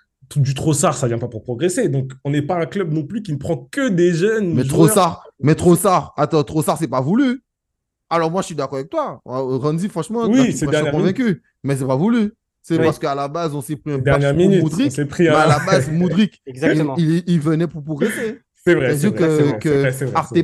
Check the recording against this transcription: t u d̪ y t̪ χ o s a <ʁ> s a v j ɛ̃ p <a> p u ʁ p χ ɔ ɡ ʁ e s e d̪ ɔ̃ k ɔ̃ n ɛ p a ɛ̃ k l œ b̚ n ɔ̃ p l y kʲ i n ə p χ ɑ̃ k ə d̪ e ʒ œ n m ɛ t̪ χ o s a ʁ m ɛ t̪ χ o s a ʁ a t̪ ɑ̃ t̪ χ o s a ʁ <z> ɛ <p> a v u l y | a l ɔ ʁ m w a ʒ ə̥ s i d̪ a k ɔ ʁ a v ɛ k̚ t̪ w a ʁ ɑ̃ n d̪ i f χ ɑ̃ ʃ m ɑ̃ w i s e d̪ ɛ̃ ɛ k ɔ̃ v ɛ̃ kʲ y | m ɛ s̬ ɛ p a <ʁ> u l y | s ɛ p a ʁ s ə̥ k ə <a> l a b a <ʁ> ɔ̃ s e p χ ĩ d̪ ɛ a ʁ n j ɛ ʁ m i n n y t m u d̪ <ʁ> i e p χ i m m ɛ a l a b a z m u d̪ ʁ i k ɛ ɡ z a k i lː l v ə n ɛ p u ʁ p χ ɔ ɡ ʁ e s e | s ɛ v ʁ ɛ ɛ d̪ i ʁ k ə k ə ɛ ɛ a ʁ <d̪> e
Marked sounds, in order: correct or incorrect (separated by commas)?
correct, correct, incorrect, correct, incorrect, correct, incorrect, correct, incorrect